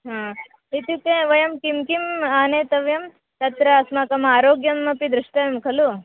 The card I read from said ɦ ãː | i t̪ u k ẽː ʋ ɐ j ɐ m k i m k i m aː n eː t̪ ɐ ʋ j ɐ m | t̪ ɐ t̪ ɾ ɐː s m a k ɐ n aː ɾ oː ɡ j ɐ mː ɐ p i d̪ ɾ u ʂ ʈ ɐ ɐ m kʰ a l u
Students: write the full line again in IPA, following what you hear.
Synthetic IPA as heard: ɦ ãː | i t̪ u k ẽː ʋ ɐ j ɐ m k i m k i m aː n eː t̪ ɐ ʋ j ɐ m | t̪ ɐ t̪ ɾ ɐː s m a k ɐ m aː ɾ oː ɡ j ɐ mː ɐ p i d̪ ɾ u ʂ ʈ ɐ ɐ m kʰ ɐ l u